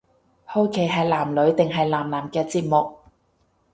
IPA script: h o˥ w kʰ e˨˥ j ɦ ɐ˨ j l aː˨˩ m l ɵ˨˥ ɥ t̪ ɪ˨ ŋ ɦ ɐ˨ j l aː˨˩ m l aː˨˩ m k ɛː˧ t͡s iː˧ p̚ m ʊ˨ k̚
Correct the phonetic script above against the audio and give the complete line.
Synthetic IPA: h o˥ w kʰ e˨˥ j ɦ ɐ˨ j l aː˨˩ m l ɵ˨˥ ɥ t̪ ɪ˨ ŋ ɦ ɐ˨ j l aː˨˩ m l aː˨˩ m k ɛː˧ t͡s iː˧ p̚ m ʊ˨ k̚